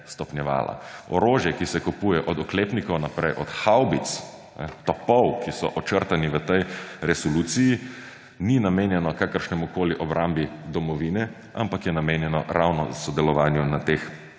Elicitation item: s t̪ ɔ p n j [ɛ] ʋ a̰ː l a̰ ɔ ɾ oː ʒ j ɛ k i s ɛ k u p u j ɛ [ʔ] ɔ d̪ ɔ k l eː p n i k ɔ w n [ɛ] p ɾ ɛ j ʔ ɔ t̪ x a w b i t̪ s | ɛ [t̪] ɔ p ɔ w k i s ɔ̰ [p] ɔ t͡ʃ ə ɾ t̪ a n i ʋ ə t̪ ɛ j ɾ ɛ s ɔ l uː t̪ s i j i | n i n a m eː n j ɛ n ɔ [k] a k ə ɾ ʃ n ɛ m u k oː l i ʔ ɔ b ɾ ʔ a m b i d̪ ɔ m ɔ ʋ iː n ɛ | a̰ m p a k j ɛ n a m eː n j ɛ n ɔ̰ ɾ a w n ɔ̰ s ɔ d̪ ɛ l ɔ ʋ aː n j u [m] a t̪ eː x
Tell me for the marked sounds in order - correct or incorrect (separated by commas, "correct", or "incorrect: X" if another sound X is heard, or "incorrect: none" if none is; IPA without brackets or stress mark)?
correct, correct, incorrect: a, correct, incorrect: ʔ, correct, incorrect: n